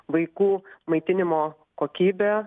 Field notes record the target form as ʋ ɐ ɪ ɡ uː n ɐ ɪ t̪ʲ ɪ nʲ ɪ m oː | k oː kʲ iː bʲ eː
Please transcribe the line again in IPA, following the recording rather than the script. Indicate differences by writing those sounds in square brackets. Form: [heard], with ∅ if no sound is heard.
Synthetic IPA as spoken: ʋ ɐ ɪ [k] uː [m] ɐ ɪ t̪ʲ ɪ nʲ ɪ m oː | k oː kʲ iː bʲ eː

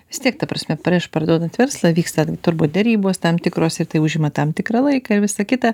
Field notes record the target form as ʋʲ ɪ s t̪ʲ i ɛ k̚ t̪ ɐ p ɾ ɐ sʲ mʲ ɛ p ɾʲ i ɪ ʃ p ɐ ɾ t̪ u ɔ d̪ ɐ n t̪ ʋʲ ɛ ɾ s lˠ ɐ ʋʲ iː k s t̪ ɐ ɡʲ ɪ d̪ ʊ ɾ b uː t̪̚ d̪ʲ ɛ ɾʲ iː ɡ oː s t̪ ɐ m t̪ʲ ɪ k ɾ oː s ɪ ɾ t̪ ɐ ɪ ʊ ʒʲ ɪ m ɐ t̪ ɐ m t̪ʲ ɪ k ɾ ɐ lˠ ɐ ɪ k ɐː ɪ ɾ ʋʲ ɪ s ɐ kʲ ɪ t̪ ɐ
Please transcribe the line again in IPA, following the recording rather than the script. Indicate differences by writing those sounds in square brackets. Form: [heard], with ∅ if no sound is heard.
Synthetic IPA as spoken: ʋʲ ɪ s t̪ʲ i ɛ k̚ t̪ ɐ p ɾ ɐ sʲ mʲ ɛ p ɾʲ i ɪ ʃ p ɐ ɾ [d̪] u ɔ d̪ ɐ n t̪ ʋʲ ɛ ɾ s lˠ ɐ ʋʲ iː k s t̪ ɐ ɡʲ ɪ [t̪] ʊ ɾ b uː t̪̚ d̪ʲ ɛ ɾʲ iː [b] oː s t̪ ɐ m t̪ʲ ɪ k ɾ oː s ɪ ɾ t̪ ɐ ɪ ʊ ʒʲ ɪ m ɐ t̪ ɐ m t̪ʲ ɪ k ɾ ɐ lˠ ɐ ɪ k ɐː ɪ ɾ ʋʲ ɪ s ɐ kʲ ɪ t̪ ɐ

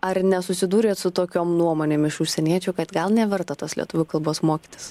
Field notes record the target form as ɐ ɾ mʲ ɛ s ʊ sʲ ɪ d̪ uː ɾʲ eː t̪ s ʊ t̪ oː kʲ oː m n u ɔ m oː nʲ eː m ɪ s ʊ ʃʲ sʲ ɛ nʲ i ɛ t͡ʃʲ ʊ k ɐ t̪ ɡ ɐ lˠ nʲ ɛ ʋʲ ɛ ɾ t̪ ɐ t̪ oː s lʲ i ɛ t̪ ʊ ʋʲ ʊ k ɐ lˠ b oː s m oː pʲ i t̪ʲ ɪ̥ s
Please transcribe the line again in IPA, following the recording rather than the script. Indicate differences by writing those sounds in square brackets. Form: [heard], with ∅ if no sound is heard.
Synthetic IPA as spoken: ɐ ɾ [nʲ] ɛ s ʊ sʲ ɪ d̪ uː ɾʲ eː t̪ s ʊ t̪ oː kʲ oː m n u ɔ m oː nʲ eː m ɪ [ʃ] ʊ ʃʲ sʲ ɛ nʲ i ɛ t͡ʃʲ ʊ k ɐ t̪ ɡ ɐ lˠ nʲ ɛ ʋʲ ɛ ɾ t̪ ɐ t̪ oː s lʲ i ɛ t̪ ʊ ʋʲ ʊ k ɐ lˠ b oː s m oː [kʲ] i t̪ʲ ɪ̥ s

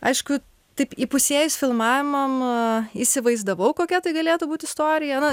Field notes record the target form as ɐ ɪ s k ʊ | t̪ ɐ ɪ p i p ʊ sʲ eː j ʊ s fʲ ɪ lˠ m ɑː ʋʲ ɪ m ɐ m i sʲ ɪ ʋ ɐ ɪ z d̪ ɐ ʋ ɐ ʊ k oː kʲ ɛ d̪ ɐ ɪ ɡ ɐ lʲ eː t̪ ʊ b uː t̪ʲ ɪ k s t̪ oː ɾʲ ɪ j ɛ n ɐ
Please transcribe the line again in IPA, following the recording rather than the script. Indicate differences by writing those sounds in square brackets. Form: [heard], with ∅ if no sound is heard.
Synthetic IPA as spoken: ɐ ɪ [ʃ] k ʊ | t̪ ɐ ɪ p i p ʊ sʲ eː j ʊ s fʲ ɪ lˠ m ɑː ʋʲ ɪ m ɐ m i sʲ ɪ ʋ ɐ ɪ z d̪ ɐ ʋ ɐ ʊ k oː kʲ ɛ [t̪] ɐ ɪ ɡ ɐ lʲ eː t̪ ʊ b uː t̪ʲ ɪ [∅] s t̪ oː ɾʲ ɪ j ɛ n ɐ

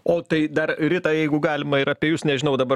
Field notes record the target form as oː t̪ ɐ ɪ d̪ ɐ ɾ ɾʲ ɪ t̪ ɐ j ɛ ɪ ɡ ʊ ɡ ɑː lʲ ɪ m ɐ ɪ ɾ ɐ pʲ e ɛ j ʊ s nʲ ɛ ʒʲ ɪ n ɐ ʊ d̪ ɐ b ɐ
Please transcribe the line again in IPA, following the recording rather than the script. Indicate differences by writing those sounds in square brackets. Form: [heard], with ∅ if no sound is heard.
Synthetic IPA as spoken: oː t̪ ɐ ɪ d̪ ɐ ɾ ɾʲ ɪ t̪ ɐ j ɛ ɪ ɡ ʊ ɡ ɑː lʲ ɪ m ɐ ɪ ɾ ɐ pʲ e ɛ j ʊ s nʲ ɛ ʒʲ ɪ n ɐ ʊ d̪ ɐ b ɐ

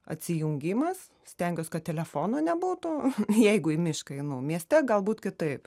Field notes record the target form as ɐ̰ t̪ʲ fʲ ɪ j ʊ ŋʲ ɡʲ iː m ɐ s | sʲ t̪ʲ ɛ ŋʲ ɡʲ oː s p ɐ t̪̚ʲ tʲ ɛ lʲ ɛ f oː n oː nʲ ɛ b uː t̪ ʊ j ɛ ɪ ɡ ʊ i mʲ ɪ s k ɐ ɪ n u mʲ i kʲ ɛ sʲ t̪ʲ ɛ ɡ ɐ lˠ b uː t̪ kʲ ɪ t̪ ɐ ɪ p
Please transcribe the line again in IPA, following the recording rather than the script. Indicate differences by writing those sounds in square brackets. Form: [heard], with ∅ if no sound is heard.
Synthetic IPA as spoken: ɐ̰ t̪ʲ [sʲ] ɪ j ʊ ŋʲ ɡʲ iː m ɐ s | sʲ t̪ʲ ɛ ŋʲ ɡʲ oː s [k] ɐ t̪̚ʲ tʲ ɛ lʲ ɛ f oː n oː nʲ ɛ b uː t̪ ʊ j ɛ ɪ ɡ ʊ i mʲ ɪ [ʃ] k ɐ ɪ n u mʲ i [∅] ɛ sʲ t̪ʲ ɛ ɡ ɐ lˠ b uː t̪ kʲ ɪ t̪ ɐ ɪ p

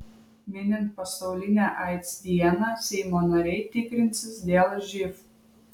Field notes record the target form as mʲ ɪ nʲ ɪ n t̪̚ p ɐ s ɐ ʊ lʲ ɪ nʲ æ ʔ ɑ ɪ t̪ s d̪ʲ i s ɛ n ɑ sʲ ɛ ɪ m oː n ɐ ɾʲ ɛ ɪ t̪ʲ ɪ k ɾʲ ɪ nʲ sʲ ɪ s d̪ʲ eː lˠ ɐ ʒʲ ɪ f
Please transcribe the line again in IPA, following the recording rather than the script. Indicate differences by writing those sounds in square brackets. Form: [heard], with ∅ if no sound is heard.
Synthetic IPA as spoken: mʲ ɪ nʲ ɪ n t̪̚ p ɐ s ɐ ʊ lʲ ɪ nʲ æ ʔ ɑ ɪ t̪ s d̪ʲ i [∅] ɛ n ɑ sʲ ɛ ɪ m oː n ɐ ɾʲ ɛ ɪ t̪ʲ ɪ k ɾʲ ɪ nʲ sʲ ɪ s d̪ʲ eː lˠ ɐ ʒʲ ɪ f

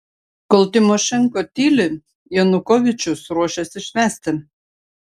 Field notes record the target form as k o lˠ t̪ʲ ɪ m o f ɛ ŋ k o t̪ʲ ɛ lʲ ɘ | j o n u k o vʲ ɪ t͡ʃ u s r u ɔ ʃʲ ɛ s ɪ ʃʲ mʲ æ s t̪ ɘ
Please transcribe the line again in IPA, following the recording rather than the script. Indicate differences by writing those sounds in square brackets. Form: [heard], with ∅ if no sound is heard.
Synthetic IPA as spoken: k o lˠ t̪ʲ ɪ m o [ʃ] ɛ ŋ k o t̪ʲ [i] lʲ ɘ | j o n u k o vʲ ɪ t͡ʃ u s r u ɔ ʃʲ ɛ s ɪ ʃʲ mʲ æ s t̪ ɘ

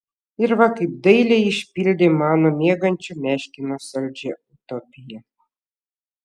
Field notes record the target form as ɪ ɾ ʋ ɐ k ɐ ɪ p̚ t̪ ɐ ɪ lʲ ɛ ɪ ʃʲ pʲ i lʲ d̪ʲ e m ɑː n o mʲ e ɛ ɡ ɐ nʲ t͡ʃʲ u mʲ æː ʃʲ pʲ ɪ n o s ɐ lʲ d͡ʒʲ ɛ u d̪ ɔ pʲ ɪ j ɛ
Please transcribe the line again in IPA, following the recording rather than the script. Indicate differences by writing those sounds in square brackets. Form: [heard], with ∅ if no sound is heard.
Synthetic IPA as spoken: ɪ ɾ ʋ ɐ k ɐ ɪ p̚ [d̪] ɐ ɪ lʲ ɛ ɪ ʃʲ pʲ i lʲ d̪ʲ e m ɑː n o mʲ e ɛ ɡ ɐ nʲ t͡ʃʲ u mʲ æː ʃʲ [kʲ] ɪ n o s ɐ lʲ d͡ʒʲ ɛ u [t̪] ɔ pʲ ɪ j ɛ

